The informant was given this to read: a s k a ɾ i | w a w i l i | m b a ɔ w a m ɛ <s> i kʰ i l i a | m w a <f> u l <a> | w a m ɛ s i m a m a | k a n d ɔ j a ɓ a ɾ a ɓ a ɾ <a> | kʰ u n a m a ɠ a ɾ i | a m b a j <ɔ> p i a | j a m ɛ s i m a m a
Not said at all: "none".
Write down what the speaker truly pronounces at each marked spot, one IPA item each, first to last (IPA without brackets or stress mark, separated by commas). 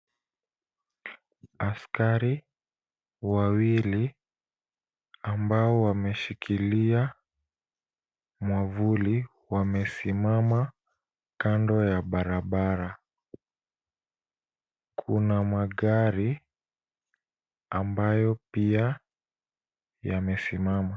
ʃ, v, i, a, ɔ